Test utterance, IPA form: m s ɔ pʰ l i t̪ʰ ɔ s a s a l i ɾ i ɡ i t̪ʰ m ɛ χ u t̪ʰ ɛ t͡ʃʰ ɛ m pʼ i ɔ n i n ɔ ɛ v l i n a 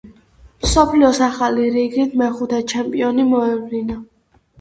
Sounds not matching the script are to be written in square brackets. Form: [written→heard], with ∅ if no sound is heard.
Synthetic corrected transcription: m s ɔ pʰ l i [t̪ʰ→∅] ɔ s a [s→χ] a l i ɾ i ɡ i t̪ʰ m ɛ χ u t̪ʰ ɛ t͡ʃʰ ɛ m pʼ i ɔ n i [n→m] ɔ ɛ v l i n a